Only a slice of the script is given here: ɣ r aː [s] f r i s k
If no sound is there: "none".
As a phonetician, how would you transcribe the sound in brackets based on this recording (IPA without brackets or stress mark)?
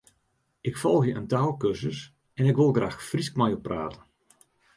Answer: x